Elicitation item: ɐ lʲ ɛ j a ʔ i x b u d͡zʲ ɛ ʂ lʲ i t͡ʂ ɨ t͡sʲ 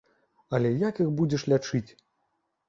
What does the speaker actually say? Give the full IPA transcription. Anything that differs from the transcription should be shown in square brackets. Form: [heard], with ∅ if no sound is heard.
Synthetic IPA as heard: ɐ lʲ ɛ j a [k] i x b u d͡zʲ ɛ ʂ lʲ [a] t͡ʂ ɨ t͡sʲ